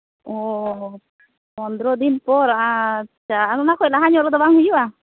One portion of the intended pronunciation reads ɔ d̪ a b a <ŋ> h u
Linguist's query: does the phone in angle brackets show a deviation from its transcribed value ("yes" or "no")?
no